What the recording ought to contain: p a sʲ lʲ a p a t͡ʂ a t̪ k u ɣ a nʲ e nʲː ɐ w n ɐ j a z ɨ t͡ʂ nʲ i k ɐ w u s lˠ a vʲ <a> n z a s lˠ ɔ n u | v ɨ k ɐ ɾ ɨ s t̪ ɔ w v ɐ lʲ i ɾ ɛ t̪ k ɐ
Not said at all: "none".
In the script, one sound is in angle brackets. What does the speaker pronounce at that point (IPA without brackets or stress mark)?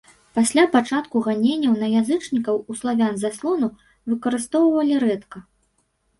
a